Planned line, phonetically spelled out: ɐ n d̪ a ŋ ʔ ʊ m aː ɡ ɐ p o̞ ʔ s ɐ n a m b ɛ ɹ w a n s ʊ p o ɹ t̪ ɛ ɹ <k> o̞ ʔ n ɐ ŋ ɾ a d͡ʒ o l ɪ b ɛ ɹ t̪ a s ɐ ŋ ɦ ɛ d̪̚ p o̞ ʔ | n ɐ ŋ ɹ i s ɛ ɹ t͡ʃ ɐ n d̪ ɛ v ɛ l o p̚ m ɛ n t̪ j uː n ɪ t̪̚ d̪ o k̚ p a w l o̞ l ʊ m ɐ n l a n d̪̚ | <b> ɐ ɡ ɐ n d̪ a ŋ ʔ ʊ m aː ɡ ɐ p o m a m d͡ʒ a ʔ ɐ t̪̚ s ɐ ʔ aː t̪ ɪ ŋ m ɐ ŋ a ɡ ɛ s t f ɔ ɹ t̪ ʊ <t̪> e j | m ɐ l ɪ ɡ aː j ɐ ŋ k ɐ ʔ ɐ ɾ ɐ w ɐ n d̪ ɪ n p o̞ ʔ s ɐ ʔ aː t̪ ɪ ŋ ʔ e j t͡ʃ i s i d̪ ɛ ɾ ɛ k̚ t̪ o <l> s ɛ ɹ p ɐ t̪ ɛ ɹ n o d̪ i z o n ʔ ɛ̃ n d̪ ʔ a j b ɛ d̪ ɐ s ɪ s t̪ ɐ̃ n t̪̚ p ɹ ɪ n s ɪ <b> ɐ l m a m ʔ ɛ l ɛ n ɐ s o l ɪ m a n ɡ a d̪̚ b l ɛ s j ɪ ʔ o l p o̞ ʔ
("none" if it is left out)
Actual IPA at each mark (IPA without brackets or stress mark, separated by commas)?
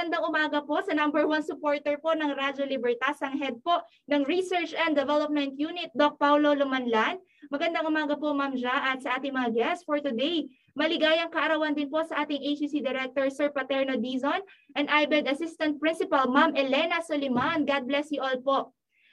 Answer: p, m, d̪, ɹ, p